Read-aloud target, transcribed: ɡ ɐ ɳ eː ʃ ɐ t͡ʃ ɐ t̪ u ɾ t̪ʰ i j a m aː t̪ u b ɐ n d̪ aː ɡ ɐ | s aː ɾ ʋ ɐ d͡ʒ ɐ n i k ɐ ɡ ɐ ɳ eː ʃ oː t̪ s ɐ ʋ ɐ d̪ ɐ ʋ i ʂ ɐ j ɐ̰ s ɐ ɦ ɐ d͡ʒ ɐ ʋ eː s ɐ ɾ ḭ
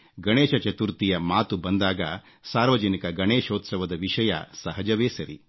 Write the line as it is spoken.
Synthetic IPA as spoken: ɡ ɐ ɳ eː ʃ ɐ t͡ʃ ɐ t̪ u ɾ t̪ i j ɐ m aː t̪ u b ɐ n d̪ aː ɡ ɐ | s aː ɾ ʋ ɐ d͡ʒ ɐ n i k ɐ ɡ ɐ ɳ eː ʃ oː t̪ s ɐ ʋ ɐ d̪ ɐ ʋ i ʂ ɐ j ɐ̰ s ɐ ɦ ɐ d͡ʒ ɐ ʋ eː s ɐ ɾ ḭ